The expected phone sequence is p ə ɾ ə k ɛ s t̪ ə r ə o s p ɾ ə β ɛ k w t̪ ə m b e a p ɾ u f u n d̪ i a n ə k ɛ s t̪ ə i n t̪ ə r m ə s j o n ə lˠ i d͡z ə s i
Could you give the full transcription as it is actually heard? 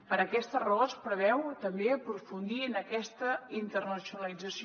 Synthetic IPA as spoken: p ə ɾ ə k ɛ s t̪ ə r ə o s p ɾ ə β ɛ w t̪ ə m b e ə p ɾ u f u n d̪ i ə n ə k ɛ s t̪ ə i n t̪ ə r n ə s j u n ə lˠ i d͡z ə s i